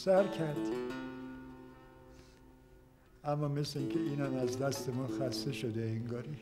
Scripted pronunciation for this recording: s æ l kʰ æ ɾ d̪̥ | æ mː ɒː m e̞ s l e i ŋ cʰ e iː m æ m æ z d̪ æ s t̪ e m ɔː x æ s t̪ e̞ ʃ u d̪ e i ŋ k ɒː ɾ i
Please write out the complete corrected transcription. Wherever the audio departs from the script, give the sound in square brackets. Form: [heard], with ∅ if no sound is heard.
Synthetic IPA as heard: s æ [ɾ] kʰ æ ɾ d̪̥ | æ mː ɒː m e̞ s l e i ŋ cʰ e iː [n] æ m æ z d̪ æ s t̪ e m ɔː x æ s t̪ e̞ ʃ [o] d̪ e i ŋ [ɡ] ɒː ɾ i